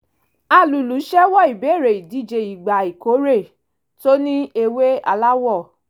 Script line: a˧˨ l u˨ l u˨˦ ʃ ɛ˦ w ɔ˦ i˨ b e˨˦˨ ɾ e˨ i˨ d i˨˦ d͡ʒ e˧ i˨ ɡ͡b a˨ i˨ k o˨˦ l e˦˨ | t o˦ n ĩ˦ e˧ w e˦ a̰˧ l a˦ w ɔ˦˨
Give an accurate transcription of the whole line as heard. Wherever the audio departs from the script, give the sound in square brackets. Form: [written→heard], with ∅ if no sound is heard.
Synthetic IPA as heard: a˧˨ l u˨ l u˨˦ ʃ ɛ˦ w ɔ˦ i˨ b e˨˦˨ ɾ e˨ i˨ d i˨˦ d͡ʒ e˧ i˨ ɡ͡b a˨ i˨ k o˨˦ [l→ɾ] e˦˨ | t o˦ n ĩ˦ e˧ w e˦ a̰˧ l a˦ w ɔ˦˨